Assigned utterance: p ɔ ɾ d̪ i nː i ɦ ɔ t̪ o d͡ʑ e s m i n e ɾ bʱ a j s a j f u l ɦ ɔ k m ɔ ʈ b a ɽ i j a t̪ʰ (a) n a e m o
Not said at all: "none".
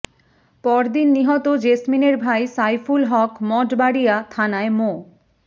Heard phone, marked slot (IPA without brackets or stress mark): a